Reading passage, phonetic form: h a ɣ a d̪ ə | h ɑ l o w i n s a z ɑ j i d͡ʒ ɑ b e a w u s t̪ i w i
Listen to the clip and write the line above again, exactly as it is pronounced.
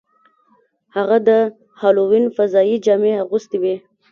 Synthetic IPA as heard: h a ɣ a d̪ ə | h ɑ l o w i n f a z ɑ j i d͡ʒ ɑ m e a ɣ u s t̪ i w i

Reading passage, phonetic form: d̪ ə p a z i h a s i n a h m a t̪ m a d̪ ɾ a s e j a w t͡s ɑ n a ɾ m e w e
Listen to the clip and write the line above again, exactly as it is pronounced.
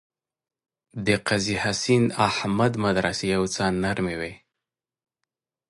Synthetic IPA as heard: d̪ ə q a z i h a s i n a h m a d̪ m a d̪ ɾ a s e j a w t͡s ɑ n a ɾ m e w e

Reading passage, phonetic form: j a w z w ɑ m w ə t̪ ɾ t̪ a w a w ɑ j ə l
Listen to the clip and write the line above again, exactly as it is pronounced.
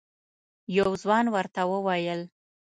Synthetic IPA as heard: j a w z w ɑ n w ə ɾ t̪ a w ə w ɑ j ə l

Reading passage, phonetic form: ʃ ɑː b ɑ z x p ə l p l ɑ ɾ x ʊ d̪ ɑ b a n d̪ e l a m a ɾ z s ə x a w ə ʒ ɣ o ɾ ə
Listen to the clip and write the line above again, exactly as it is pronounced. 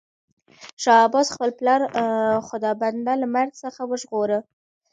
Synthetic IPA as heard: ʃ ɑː b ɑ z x p ə l p l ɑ ɾ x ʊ d̪ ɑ b a n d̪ a l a m a ɾ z s ə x a w ə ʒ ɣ o ɾ ə

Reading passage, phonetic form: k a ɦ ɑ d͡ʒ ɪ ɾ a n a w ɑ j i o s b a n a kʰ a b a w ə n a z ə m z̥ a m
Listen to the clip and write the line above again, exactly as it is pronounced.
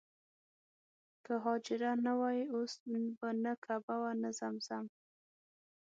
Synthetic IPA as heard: k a ɦ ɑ d͡ʒ ɪ ɾ a n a w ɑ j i o s b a n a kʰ a b a w a n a z a m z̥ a m

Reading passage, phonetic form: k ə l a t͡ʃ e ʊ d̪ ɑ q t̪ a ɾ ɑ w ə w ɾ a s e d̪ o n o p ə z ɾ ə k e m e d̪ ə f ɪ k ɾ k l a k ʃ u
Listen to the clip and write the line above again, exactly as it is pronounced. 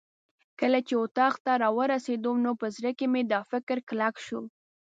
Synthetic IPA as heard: k ə l a t͡ʃ e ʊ t̪ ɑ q t̪ a ɾ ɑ w ə ɾ a s e d̪ o n o p ə z ɾ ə k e m e d̪ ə f ɪ k ɾ k l a k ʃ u

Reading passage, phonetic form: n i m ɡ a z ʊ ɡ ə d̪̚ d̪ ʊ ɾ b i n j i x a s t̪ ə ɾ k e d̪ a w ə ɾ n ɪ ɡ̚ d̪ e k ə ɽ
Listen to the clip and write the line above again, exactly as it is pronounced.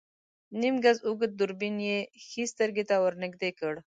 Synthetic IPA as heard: n i m ɡ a z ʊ ɡ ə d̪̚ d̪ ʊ ɾ b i n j e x i s t̪ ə ɾ ɡ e t̪ a w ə ɾ n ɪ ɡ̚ d̪ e k ə ɽ

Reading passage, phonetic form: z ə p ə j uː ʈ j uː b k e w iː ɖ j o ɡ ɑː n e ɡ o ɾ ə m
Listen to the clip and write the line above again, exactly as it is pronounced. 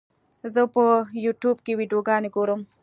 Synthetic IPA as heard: z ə p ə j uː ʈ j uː b k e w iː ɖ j o ɡ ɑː n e ɡ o ɾ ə m

